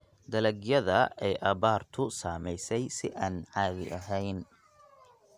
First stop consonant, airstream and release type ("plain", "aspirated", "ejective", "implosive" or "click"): plain